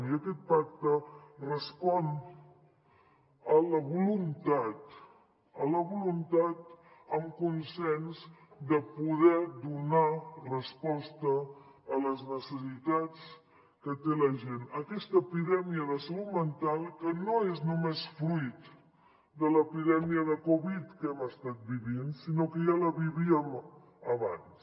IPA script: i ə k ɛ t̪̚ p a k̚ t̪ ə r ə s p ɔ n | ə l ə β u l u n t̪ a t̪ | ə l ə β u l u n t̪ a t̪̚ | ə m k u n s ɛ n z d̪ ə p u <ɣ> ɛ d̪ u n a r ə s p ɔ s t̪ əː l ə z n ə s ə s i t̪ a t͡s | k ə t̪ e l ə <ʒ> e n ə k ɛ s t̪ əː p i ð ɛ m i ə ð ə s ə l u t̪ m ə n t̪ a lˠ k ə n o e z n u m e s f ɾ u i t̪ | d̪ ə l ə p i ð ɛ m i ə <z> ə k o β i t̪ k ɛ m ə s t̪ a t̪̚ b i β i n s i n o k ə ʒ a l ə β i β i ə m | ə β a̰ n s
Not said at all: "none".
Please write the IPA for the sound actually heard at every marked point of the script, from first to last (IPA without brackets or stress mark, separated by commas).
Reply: ð, ʒ, ð